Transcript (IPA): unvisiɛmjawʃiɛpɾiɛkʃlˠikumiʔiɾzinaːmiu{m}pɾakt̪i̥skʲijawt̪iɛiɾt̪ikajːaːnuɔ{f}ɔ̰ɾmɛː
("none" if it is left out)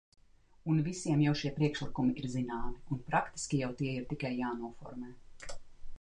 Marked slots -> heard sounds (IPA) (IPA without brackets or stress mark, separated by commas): n, f